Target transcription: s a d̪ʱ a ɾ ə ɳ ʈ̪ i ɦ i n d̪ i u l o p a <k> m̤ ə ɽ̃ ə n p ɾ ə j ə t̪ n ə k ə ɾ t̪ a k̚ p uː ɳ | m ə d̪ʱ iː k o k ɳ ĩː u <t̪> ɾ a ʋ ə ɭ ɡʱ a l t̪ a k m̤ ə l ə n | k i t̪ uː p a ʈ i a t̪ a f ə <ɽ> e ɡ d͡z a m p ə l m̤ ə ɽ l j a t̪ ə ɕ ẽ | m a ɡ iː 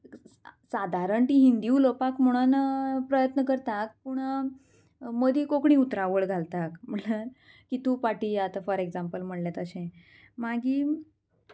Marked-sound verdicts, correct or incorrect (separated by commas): correct, correct, incorrect